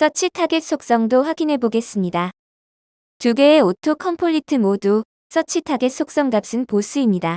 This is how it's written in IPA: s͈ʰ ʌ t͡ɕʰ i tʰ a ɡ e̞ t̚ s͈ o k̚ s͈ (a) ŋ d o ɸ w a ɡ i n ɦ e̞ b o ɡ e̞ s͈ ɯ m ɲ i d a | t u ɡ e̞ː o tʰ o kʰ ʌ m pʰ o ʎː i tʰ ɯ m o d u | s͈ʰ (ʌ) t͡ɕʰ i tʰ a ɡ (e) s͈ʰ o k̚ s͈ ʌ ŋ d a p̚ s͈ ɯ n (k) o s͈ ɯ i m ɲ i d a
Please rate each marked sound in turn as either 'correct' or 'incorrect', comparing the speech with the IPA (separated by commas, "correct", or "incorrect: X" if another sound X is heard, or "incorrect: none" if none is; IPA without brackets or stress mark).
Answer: incorrect: ʌ, correct, correct, incorrect: p